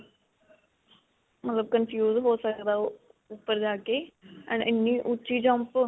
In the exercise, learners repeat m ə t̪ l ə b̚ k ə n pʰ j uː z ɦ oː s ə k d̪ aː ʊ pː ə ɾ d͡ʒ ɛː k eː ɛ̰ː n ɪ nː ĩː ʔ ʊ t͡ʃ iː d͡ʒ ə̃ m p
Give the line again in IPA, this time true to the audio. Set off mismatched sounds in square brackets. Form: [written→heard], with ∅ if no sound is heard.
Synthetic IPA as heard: m ə t̪ l ə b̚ k ə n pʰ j uː z ɦ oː s ə k d̪ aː ʊ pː ə ɾ d͡ʒ [ɛː→aː] k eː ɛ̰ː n ɪ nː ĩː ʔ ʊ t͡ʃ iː d͡ʒ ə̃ m p

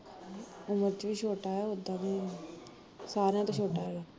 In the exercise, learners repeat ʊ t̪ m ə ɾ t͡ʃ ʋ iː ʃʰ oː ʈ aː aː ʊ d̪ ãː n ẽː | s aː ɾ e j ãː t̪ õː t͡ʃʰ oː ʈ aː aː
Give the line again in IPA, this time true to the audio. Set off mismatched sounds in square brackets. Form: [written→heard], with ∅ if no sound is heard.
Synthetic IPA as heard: ʊ [t̪→∅] m ə ɾ t͡ʃ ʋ iː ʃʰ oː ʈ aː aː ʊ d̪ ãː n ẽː | s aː ɾ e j ãː t̪ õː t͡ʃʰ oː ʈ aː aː

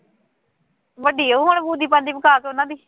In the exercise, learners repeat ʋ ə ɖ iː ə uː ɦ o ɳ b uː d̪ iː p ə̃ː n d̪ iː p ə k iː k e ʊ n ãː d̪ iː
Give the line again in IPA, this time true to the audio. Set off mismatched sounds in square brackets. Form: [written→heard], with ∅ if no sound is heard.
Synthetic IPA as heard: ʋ ə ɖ iː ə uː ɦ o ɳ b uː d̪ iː p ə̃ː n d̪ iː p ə k [iː→aː] k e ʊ n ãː d̪ iː

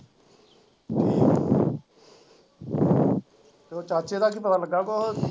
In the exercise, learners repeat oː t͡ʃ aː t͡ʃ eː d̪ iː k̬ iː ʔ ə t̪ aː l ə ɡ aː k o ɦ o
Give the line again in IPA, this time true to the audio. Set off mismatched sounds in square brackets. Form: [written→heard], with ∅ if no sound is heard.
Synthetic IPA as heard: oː t͡ʃ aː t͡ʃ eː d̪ [iː→aː] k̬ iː [ʔ→p] ə t̪ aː l ə ɡ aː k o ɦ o

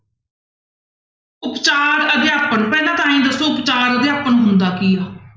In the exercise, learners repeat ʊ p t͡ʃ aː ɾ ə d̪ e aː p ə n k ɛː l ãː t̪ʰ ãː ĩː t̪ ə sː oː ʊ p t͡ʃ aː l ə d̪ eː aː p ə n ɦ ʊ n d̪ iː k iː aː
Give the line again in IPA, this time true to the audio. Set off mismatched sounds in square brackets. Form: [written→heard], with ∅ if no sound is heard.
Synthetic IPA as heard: ʊ p t͡ʃ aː ɾ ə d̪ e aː p ə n [k→p] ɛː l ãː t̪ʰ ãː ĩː [t̪→d̪] ə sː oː ʊ p t͡ʃ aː [l→ɾ] ə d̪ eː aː p ə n ɦ ʊ n d̪ [iː→aː] k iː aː

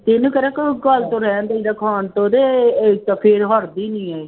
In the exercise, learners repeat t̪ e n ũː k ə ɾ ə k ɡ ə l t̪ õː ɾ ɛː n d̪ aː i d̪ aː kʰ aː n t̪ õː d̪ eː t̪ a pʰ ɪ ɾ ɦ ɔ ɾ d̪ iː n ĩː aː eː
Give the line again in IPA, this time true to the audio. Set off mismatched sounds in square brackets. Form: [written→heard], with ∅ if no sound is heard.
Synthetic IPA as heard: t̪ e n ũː k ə ɾ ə k ɡ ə l t̪ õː ɾ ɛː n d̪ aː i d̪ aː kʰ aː n t̪ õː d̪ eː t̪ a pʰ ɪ ɾ ɦ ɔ ɾ d̪ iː n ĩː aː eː

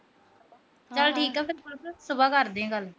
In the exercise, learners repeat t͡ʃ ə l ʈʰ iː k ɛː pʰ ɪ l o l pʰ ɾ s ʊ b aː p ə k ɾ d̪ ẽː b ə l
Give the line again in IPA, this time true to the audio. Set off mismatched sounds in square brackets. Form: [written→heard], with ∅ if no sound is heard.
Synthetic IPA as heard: t͡ʃ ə l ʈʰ iː k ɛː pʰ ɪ [l→ɾ] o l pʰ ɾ s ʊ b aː [p→k] ə [k→∅] ɾ d̪ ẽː [b→ɡ] ə l

